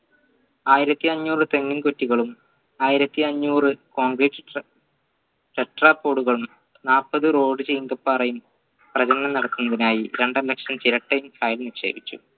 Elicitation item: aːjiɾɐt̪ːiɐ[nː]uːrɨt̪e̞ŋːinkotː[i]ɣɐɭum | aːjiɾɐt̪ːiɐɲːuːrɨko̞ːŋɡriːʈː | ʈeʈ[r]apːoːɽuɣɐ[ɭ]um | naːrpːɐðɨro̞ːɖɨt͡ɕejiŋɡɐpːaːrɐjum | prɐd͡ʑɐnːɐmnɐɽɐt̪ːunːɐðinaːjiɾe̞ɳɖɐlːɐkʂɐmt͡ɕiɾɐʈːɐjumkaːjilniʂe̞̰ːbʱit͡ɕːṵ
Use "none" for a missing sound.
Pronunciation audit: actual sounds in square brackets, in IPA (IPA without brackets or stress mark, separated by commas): ɲː, i, r, ɭ